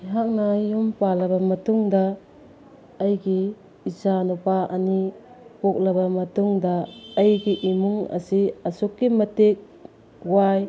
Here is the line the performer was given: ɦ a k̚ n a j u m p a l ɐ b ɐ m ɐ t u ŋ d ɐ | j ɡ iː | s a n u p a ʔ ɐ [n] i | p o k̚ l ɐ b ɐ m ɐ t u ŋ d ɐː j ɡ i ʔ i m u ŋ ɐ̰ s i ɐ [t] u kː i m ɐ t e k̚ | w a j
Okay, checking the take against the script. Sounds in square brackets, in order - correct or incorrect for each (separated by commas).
correct, incorrect